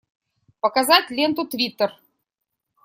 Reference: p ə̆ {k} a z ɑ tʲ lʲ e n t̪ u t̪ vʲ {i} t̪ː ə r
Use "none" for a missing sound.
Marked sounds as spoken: k, i

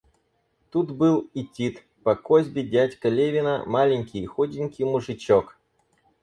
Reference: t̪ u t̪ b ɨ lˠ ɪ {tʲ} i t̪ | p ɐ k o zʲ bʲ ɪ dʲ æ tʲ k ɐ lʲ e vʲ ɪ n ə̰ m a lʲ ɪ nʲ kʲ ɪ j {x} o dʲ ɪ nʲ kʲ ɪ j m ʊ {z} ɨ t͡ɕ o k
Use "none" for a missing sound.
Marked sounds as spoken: tʲ, x, ʐ

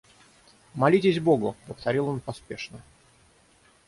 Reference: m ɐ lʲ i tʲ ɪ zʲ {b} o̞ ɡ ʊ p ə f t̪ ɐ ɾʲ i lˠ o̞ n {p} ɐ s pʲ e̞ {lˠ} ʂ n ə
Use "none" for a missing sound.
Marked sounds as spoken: b, p, none

